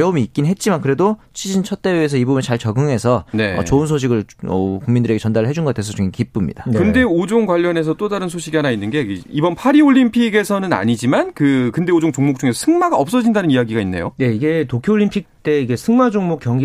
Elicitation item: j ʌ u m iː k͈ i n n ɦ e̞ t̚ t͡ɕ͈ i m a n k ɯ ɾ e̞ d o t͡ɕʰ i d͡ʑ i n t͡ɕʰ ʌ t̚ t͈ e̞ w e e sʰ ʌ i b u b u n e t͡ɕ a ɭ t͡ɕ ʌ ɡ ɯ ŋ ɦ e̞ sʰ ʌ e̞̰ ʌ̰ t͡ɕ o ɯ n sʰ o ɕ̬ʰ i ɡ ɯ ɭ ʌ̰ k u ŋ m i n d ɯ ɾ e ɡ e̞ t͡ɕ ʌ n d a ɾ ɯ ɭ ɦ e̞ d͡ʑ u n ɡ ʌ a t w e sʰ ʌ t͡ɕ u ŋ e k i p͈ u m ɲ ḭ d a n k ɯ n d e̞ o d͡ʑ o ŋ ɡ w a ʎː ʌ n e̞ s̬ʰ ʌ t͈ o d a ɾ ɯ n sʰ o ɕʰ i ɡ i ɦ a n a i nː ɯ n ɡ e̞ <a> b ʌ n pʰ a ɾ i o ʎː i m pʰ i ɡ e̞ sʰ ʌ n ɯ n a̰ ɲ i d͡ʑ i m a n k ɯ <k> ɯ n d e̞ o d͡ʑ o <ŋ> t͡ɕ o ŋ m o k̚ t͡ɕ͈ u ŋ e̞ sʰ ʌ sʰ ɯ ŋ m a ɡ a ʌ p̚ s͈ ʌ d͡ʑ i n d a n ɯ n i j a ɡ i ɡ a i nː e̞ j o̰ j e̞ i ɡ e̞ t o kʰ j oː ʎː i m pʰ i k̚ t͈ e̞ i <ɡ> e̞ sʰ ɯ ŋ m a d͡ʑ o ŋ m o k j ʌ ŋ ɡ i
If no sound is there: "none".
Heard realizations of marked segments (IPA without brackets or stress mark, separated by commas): i, k, ŋ, ɡ